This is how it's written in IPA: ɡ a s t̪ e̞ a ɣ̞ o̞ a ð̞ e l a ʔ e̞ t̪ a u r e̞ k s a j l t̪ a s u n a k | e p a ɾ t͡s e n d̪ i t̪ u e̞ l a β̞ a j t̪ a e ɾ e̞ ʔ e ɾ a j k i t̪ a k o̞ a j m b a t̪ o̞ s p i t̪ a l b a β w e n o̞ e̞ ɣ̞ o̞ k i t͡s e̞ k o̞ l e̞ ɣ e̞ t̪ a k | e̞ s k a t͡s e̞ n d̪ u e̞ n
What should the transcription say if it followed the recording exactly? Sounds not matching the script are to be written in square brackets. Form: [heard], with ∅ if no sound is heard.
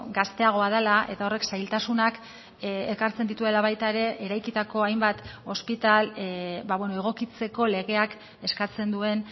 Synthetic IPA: ɡ a s t̪ e̞ a ɣ̞ o̞ a ð̞ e l a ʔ e̞ t̪ a [o] r e̞ k s a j l t̪ a s u n a k | e [k] a ɾ t͡s e n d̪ i t̪ u e̞ l a β̞ a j t̪ a e ɾ e̞ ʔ e ɾ a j k i t̪ a k o̞ a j m b a t̪ o̞ s p i t̪ a l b a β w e n o̞ e̞ ɣ̞ o̞ k i t͡s e̞ k o̞ l e̞ ɣ e̞ [∅] a k | e̞ s k a t͡s e̞ n d̪ u e̞ n